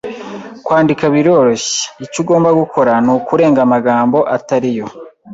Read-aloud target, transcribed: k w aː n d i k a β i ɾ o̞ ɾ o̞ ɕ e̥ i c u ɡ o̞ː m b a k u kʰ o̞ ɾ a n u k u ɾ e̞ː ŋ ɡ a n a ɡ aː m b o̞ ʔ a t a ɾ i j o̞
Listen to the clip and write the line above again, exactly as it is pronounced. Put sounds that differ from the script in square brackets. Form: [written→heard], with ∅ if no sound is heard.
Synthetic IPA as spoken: k w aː n d i k a β i ɾ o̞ ɾ o̞ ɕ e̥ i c u ɡ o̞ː m b a [k→ɡ] u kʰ o̞ ɾ a n u k u ɾ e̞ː ŋ ɡ a [n→m] a ɡ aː m b o̞ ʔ a t a ɾ i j o̞